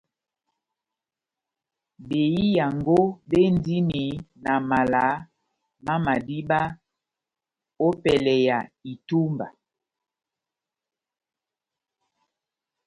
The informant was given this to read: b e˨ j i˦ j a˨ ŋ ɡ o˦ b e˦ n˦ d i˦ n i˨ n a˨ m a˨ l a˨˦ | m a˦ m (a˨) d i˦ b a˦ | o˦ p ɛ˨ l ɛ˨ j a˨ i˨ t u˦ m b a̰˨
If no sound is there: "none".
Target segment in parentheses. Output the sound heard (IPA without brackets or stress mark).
a˨